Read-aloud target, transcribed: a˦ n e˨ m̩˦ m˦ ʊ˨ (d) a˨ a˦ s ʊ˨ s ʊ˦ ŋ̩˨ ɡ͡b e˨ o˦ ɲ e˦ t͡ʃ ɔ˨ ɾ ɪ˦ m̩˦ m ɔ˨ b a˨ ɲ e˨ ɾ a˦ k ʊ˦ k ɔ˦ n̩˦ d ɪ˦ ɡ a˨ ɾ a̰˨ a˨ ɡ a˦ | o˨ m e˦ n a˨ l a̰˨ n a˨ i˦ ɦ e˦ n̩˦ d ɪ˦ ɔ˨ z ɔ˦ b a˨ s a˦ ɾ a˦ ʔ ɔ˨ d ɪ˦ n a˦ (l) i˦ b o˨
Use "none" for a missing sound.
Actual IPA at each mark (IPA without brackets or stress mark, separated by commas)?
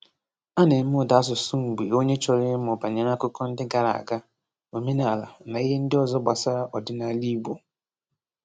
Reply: d, l